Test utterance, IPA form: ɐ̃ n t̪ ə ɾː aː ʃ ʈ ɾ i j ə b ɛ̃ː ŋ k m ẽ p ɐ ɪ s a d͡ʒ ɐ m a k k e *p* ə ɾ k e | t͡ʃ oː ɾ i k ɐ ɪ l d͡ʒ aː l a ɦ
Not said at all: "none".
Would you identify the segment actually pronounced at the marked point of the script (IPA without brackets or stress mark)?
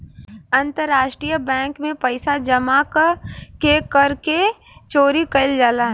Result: k